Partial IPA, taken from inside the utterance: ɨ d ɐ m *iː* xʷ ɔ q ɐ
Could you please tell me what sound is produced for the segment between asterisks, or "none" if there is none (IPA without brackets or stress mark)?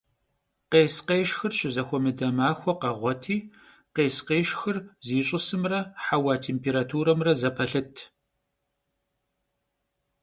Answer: aː